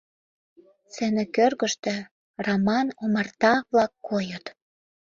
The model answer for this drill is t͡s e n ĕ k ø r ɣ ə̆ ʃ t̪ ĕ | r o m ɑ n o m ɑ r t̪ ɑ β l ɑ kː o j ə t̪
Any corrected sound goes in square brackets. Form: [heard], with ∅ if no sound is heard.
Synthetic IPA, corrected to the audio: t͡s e n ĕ k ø r ɣ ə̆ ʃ t̪ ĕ | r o m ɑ n o m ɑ r t̪ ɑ β l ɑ kː o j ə t̪

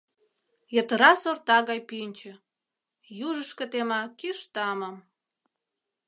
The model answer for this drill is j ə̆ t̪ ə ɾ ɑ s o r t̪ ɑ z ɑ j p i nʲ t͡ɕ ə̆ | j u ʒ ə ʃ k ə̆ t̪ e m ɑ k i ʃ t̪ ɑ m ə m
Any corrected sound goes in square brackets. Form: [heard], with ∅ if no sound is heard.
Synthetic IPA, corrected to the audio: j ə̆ t̪ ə ɾ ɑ s o r t̪ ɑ [ɣ] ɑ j p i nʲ t͡ɕ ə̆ | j u ʒ ə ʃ k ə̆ t̪ e m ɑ k i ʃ t̪ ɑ m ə m

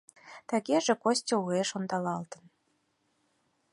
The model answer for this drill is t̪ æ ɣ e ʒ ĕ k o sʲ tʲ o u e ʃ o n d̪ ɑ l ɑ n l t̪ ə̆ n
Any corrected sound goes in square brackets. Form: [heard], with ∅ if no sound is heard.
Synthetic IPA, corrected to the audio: t̪ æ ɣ e ʒ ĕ k o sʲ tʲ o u e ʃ o n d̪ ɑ l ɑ [∅] l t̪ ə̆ n

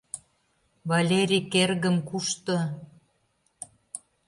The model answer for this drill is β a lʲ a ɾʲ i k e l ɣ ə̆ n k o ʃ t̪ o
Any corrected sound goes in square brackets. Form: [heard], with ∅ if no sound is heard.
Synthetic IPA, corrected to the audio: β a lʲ [e] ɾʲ i k e [r] ɣ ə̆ [m] k [u] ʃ t̪ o

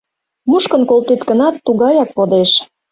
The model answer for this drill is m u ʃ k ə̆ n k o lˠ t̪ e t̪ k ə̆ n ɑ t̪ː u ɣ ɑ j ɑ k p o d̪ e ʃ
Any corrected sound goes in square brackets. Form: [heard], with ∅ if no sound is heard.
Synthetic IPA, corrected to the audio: m u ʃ k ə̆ n k o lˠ t̪ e t̪ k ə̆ n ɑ t̪ː u ɣ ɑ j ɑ k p o d̪ e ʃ

